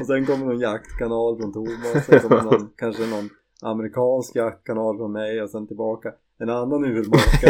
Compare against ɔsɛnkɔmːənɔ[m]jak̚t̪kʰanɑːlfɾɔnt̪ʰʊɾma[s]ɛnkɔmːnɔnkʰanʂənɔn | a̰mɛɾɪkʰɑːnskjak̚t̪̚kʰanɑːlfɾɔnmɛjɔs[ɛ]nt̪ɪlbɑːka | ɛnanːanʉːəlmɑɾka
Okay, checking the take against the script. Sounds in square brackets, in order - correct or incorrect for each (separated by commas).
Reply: incorrect, correct, correct